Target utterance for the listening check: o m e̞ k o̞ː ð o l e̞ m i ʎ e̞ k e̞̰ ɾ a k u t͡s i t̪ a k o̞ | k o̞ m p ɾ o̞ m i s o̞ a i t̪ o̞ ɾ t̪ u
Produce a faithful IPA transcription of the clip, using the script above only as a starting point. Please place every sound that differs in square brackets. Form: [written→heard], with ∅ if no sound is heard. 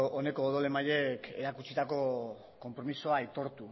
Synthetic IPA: o [m→n] e̞ k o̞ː ð o l e̞ m [i→a] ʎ e̞ k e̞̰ ɾ a k u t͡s i t̪ a k o̞ | k o̞ m p ɾ o̞ m i s o̞ a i t̪ o̞ ɾ t̪ u